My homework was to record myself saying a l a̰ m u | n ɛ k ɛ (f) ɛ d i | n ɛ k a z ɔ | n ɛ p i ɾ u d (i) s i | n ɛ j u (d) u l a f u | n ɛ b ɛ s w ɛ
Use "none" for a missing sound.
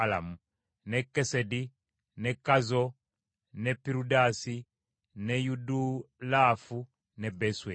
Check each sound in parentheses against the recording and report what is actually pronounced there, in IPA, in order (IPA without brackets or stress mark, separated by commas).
s, a, d